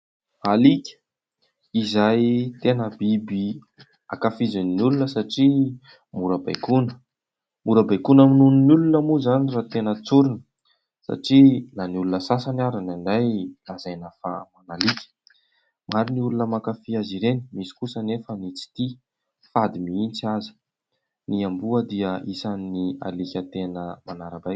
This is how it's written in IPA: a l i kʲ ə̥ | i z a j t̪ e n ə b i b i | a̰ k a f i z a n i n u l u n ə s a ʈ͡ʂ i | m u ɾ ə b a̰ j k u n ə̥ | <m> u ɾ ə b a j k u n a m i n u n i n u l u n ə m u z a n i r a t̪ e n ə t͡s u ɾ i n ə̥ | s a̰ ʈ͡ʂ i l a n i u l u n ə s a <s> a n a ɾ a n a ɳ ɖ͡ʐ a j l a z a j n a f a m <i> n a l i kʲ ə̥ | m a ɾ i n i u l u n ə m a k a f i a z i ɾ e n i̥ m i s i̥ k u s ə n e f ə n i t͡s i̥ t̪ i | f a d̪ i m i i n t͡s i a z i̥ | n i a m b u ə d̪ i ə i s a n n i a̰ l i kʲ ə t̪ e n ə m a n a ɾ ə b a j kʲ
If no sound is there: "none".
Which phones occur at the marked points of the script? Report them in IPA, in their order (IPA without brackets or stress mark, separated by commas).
m, s, a